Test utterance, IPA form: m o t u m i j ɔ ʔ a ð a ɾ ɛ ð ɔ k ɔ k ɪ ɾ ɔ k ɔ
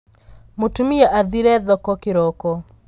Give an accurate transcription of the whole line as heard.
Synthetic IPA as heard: m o t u m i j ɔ ʔ a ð i ɾ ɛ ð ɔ k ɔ k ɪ ɾ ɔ k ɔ